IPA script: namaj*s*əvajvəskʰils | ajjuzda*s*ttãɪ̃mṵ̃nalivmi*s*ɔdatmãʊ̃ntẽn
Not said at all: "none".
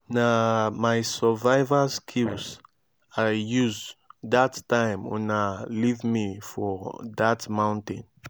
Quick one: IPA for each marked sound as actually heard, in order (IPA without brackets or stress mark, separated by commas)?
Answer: s, none, f